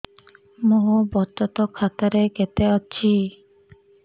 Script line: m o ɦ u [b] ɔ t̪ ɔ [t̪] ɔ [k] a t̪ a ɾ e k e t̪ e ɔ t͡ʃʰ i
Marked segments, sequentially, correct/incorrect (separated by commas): correct, correct, incorrect